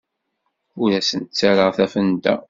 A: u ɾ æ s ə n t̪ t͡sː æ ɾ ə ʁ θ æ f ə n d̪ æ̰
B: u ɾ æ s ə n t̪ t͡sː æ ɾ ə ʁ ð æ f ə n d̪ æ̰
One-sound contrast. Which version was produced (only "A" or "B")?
A